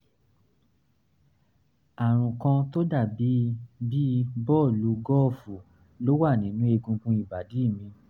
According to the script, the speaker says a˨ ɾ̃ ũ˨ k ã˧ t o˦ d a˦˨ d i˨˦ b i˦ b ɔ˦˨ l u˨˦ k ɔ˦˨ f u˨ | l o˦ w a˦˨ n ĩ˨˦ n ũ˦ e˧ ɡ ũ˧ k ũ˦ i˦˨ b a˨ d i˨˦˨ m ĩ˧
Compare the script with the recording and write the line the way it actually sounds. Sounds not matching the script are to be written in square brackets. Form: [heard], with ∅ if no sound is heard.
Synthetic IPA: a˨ ɾ̃ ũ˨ k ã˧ t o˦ d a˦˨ [b] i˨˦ b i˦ b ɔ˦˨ l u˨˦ [ɡ] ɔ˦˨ f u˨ | l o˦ w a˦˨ n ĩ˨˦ n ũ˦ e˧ ɡ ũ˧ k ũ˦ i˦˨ b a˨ d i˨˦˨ m ĩ˧

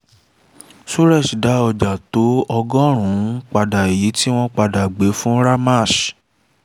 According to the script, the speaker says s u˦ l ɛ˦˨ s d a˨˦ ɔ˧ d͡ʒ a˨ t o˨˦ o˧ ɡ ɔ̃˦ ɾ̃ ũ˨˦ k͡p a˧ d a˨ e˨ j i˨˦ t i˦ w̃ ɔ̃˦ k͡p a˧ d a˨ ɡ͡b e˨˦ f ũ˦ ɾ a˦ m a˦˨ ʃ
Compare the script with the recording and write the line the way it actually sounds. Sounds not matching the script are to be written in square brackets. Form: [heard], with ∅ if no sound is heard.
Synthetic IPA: s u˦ [ɾ] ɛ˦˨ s d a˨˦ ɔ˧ d͡ʒ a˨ t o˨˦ [ɔ˧] ɡ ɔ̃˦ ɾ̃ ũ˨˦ k͡p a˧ d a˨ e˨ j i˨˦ t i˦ w̃ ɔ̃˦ k͡p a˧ d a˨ ɡ͡b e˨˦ f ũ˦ ɾ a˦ m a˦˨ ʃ

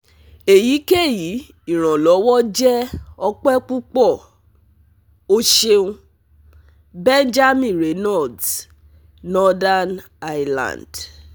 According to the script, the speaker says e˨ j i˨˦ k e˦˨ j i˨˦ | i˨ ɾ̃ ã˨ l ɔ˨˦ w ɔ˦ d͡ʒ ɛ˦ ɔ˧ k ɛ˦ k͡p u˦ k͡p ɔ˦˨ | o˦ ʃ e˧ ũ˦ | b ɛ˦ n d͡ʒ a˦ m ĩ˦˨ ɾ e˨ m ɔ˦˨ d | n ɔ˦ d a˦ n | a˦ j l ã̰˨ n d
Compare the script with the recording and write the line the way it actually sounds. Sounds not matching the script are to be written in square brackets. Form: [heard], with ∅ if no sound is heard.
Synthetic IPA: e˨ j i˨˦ k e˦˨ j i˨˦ | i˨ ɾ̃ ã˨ l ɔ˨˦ w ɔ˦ d͡ʒ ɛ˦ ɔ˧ [k͡p] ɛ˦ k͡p u˦ k͡p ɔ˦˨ | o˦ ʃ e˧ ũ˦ | b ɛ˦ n d͡ʒ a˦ m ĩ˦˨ ɾ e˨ [n] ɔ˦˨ d | n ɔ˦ d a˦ n | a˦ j l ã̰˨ n d

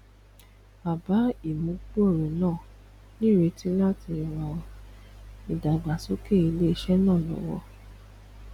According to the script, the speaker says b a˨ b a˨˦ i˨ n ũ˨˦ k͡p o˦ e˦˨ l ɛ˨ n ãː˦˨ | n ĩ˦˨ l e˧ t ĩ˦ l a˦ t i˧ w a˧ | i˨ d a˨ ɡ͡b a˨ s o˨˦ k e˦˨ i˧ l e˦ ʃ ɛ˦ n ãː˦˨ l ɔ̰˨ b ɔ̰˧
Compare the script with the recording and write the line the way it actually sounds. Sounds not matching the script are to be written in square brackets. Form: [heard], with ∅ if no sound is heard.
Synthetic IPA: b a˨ b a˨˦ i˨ [m] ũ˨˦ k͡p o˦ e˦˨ [ɾ] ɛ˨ n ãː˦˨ | n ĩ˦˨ [ɾ] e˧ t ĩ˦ l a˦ t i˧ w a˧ | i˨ d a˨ ɡ͡b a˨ s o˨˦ k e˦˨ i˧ l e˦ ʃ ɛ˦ n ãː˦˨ l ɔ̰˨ [w] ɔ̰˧

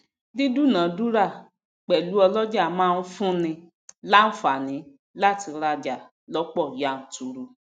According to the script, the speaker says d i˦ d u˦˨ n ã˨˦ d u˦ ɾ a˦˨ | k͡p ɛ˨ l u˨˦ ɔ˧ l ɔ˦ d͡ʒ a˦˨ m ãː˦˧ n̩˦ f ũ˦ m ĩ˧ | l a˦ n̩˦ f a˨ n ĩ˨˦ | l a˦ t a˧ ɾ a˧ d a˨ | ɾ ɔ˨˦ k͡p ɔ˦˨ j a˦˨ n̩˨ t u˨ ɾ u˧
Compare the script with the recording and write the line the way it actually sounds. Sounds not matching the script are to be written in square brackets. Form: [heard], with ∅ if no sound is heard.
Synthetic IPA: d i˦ d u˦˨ n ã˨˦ d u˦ ɾ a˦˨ | k͡p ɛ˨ l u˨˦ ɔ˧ l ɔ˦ d͡ʒ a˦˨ m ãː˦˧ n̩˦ f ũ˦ [n] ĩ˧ | l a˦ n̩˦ f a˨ n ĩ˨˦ | l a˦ t [i˧] ɾ a˧ [d͡ʒ] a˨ | [l] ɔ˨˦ k͡p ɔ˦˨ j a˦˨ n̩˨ t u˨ ɾ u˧

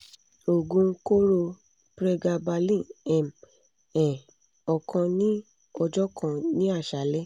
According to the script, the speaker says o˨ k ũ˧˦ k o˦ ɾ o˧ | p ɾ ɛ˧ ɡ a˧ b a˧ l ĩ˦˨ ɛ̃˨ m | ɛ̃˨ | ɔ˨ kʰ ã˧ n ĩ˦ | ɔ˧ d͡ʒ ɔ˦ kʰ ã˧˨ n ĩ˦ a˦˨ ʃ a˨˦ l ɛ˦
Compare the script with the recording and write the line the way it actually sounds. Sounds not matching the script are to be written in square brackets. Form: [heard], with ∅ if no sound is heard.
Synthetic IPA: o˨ [ɡ] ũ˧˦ k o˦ ɾ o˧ | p ɾ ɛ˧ ɡ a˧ b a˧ l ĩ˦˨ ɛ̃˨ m | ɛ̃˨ | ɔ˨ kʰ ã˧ n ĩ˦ | ɔ˧ d͡ʒ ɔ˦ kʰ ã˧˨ n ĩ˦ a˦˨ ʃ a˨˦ l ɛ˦

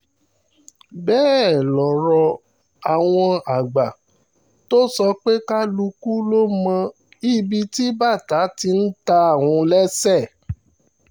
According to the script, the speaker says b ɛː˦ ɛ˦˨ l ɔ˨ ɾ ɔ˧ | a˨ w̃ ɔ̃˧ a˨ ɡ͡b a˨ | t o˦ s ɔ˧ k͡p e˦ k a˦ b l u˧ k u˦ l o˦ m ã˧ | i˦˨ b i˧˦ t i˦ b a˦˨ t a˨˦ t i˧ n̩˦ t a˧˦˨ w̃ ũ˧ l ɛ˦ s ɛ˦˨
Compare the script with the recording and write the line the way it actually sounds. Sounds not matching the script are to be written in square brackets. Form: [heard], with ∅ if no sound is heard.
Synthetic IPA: b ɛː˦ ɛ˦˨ l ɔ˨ ɾ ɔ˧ | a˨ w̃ ɔ̃˧ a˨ ɡ͡b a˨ | t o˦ s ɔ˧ k͡p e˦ k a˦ [∅] l u˧ k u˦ l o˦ m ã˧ | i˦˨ b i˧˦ t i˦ b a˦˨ t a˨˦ t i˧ n̩˦ t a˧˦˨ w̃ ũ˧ l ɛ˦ s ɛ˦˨

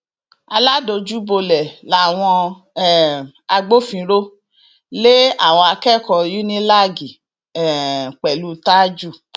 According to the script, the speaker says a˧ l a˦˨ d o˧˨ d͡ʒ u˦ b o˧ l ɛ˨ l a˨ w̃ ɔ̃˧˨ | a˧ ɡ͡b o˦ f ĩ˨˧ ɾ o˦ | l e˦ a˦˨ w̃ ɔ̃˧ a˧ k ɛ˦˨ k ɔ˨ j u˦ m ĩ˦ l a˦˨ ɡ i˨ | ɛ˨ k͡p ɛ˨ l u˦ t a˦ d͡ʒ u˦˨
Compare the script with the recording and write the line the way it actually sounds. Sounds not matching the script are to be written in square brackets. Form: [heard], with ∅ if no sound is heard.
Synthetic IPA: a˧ l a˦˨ d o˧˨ d͡ʒ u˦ b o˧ l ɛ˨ l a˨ w̃ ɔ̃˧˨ | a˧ ɡ͡b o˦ f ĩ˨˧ ɾ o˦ | l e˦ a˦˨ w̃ ɔ̃˧ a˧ k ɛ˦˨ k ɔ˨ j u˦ [n] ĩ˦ l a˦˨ ɡ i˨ | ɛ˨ k͡p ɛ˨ l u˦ t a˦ d͡ʒ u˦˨

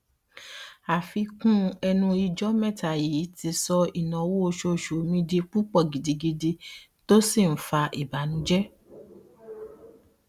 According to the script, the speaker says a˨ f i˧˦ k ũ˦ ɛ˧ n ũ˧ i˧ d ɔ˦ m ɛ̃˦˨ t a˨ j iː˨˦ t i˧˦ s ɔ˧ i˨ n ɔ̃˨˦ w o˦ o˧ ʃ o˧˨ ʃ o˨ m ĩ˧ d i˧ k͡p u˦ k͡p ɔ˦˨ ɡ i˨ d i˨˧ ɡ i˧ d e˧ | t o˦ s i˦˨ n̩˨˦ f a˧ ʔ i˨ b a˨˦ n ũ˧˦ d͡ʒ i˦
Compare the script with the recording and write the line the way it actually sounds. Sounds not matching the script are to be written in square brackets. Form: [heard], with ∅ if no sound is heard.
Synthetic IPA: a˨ f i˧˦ k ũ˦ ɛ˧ n ũ˧ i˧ [d͡ʒ] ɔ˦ m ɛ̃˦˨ t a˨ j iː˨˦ t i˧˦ s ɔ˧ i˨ n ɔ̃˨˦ w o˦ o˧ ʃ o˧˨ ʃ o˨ m ĩ˧ d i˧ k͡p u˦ k͡p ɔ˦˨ ɡ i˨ d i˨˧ ɡ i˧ d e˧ | t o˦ s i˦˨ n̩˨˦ f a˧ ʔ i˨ b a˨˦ n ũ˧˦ d͡ʒ [ɛ˦]

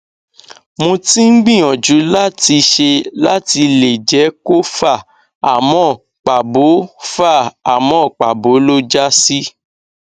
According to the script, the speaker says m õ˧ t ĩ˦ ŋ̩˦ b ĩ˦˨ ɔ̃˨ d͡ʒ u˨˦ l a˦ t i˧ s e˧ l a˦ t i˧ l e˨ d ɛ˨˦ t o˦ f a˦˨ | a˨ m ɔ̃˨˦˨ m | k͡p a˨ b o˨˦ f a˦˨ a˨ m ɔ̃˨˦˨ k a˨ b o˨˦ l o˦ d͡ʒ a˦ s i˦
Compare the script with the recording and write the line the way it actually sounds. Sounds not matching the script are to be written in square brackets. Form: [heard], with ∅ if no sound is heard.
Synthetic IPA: m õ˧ t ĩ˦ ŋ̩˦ [ɡ͡b] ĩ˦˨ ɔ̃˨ d͡ʒ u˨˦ l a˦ t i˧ [ʃ] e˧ l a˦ t i˧ l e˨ [d͡ʒ] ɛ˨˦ [k] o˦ f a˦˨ | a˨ m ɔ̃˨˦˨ [∅] | k͡p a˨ b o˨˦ f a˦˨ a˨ m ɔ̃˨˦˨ [k͡p] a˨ b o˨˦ l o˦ d͡ʒ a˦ s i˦

